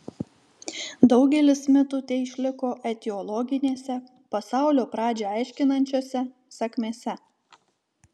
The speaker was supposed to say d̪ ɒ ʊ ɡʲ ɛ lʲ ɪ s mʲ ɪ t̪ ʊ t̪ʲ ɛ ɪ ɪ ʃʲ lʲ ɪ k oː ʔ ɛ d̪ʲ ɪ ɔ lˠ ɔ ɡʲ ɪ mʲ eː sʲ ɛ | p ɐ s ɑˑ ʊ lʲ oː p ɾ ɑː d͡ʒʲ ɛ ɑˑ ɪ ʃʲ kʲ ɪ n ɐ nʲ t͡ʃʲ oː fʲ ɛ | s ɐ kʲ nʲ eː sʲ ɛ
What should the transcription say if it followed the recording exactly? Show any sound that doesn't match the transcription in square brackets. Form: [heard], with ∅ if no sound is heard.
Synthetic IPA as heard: d̪ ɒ ʊ ɡʲ ɛ lʲ ɪ s mʲ ɪ t̪ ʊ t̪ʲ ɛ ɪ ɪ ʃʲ lʲ ɪ k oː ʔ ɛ [t̪ʲ] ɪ ɔ lˠ ɔ ɡʲ ɪ [nʲ] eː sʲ ɛ | p ɐ s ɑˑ ʊ lʲ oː p ɾ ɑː d͡ʒʲ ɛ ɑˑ ɪ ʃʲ kʲ ɪ n ɐ nʲ t͡ʃʲ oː [sʲ] ɛ | s ɐ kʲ [mʲ] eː sʲ ɛ